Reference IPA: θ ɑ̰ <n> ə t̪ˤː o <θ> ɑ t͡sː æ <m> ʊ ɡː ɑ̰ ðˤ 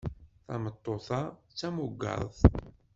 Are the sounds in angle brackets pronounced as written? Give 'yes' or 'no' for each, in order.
no, yes, yes

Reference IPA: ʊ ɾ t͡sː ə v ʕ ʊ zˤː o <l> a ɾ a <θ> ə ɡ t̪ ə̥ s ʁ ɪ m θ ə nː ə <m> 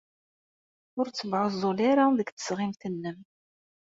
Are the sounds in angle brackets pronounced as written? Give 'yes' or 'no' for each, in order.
yes, no, yes

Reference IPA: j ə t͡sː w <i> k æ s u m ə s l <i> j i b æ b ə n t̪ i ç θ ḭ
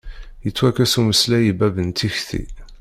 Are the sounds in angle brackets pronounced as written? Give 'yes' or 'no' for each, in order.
no, no

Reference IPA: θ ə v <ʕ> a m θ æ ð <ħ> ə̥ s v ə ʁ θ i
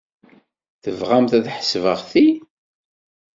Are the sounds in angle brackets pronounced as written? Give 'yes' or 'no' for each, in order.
no, yes

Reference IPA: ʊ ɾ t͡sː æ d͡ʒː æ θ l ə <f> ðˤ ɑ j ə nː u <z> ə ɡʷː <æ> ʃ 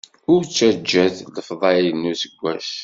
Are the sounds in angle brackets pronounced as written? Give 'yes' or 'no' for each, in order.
yes, no, yes

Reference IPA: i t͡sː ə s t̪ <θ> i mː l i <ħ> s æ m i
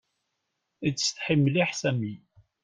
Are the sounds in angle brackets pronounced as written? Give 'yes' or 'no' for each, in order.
no, yes

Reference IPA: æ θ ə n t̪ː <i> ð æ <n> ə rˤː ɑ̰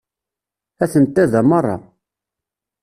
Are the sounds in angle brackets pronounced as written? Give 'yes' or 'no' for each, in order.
no, no

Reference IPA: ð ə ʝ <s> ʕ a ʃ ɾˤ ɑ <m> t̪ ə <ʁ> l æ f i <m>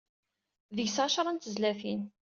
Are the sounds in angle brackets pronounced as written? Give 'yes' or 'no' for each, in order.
yes, no, no, no

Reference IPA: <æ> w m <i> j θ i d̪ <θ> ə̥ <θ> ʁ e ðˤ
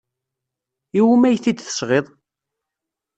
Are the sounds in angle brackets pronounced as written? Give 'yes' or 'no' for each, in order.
no, no, yes, no

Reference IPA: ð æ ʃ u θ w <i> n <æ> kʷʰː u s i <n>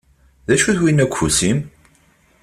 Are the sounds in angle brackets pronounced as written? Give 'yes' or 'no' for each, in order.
yes, yes, no

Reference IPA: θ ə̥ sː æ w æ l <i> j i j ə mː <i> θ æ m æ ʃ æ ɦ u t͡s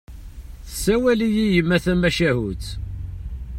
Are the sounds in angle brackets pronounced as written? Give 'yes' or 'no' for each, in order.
yes, no

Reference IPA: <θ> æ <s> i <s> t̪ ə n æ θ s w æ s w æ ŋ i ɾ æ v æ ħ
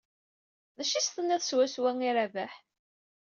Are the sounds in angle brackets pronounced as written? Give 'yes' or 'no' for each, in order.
no, no, yes

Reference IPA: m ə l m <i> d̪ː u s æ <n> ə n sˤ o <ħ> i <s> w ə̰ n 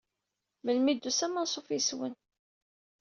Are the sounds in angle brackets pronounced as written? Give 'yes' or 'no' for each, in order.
yes, no, no, yes

